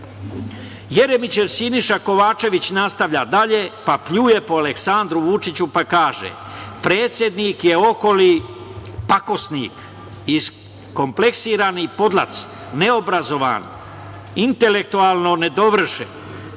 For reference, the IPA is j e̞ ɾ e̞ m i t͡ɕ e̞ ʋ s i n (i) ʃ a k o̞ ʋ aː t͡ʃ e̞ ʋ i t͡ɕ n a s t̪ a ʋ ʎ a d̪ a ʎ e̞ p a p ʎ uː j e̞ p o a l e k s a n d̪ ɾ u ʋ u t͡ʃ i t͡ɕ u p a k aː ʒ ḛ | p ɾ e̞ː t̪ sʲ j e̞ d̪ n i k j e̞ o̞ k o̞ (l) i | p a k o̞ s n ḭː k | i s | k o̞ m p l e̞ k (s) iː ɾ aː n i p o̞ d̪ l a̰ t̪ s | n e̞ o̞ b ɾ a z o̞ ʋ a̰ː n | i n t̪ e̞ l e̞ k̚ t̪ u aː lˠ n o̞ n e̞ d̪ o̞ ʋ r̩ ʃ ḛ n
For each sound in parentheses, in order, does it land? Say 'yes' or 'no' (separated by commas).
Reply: yes, yes, yes